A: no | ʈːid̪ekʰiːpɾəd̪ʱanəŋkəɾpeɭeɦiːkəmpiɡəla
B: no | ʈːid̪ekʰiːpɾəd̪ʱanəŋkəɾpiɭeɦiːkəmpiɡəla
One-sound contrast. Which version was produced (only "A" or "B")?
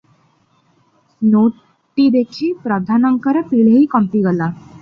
B